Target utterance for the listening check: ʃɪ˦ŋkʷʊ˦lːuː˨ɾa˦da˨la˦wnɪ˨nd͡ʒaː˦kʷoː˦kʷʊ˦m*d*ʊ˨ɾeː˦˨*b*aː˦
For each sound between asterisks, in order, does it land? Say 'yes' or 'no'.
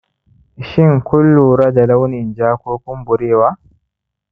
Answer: no, no

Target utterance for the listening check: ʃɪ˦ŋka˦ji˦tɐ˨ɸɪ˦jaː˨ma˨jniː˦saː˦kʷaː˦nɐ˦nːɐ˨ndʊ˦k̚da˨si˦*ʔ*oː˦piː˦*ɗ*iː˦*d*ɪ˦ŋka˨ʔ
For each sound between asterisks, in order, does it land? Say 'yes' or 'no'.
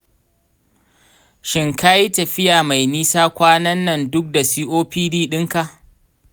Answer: yes, no, no

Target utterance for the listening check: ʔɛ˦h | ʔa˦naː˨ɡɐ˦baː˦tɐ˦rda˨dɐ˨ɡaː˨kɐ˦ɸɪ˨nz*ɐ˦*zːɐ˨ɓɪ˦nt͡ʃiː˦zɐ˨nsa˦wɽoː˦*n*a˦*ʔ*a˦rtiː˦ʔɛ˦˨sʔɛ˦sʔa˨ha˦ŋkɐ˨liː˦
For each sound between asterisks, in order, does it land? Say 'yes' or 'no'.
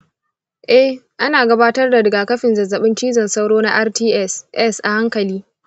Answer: no, yes, yes

